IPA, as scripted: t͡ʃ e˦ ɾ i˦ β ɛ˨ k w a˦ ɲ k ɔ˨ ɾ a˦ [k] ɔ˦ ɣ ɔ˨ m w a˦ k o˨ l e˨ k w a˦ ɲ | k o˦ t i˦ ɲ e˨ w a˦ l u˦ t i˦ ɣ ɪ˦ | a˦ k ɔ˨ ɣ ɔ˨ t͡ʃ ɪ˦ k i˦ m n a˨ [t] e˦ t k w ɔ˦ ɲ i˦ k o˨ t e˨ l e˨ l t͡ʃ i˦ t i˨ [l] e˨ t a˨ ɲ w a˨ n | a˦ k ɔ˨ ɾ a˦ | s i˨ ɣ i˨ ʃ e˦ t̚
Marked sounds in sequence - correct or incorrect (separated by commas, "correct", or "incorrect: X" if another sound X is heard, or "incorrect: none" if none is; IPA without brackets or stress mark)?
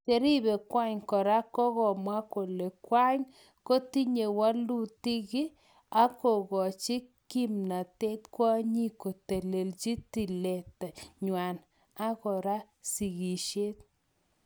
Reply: correct, correct, correct